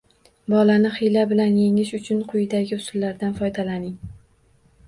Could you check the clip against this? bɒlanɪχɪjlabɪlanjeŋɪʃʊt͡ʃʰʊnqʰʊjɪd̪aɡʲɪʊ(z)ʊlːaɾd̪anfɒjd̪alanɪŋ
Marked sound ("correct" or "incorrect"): incorrect